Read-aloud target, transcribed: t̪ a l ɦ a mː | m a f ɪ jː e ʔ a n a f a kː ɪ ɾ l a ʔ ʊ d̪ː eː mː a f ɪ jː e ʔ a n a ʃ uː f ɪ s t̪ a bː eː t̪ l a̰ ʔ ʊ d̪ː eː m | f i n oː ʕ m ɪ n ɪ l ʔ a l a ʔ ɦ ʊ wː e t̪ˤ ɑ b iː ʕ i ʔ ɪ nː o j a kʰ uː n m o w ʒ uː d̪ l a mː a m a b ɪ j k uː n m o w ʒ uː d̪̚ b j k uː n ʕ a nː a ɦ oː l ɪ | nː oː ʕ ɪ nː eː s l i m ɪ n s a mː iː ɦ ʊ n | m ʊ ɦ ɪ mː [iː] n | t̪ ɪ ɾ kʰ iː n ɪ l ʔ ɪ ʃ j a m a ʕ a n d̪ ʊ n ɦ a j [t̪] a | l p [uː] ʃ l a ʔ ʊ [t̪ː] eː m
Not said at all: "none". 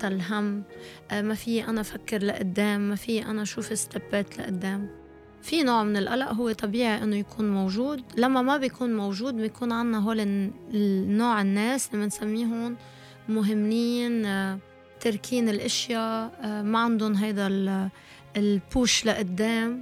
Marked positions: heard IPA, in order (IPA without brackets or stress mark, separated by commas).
iː, d̪, uː, d̪ː